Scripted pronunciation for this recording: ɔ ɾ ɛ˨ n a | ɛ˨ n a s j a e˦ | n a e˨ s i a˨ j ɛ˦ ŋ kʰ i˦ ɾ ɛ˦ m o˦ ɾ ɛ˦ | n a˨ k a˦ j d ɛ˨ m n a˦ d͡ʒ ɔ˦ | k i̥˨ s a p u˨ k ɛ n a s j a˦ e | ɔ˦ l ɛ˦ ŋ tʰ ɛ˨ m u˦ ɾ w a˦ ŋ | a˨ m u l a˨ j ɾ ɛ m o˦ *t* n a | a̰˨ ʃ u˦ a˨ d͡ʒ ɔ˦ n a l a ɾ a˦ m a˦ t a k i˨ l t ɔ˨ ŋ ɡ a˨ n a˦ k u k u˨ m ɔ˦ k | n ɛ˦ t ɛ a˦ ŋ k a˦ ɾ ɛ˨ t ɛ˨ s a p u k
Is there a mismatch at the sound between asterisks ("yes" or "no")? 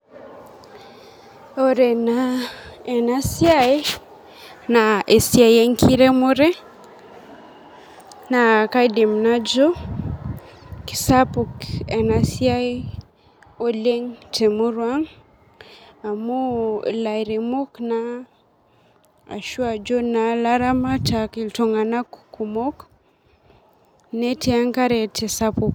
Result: yes